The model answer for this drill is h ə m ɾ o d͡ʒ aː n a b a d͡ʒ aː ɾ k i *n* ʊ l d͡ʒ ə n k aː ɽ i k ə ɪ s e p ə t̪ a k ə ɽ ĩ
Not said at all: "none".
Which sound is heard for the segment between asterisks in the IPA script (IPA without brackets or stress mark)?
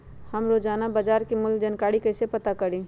m